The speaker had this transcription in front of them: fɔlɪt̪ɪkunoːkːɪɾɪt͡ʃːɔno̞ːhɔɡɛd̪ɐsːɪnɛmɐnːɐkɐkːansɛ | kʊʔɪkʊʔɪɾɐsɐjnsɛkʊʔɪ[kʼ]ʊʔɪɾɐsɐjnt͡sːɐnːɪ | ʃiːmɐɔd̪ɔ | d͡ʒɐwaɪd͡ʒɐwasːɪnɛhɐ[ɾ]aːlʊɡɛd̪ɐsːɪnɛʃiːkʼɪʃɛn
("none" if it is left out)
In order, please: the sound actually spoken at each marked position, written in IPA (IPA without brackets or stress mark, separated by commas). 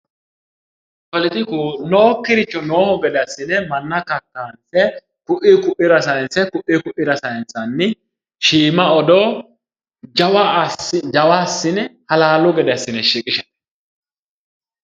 k, l